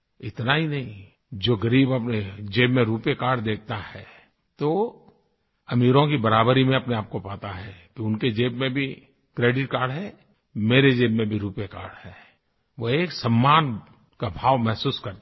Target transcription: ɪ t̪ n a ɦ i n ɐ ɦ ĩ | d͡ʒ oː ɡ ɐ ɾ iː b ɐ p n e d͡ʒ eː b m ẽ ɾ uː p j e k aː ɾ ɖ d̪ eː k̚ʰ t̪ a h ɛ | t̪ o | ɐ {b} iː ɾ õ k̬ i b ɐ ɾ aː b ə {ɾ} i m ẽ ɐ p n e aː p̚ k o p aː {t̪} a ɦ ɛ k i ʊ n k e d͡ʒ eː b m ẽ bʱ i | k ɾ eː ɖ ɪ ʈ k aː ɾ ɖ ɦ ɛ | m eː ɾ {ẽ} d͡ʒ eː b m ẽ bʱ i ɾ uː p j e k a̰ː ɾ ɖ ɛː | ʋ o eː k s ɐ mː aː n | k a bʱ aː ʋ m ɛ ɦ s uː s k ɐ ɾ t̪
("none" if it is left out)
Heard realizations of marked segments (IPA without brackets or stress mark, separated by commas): m, ɾ, t̪, e